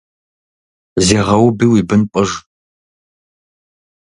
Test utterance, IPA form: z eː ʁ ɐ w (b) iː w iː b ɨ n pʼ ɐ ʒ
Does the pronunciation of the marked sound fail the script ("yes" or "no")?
no